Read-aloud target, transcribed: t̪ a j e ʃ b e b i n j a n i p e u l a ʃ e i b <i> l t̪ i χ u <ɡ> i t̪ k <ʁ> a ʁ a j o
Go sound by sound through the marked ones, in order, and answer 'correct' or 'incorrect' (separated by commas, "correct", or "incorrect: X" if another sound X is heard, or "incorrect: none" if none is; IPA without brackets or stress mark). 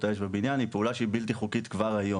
correct, incorrect: k, incorrect: v